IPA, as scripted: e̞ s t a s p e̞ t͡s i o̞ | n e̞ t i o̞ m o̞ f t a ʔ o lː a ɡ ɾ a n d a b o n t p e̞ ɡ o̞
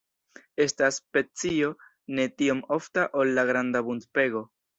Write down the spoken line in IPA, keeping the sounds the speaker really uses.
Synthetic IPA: e̞ s t a s p e̞ t͡s i o̞ | n e̞ t i o̞ m o̞ f t a ʔ o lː a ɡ ɾ a n d a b u n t p e̞ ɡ o̞